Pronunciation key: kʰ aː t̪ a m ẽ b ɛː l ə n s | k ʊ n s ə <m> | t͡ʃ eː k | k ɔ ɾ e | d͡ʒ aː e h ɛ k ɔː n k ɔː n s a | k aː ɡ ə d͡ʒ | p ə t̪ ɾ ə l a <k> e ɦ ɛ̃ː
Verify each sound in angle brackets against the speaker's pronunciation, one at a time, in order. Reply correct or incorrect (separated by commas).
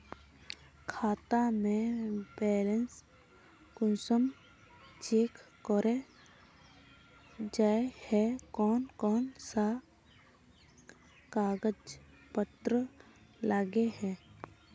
correct, incorrect